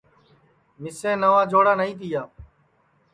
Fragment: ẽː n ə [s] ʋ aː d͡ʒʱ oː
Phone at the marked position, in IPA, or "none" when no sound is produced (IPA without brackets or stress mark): none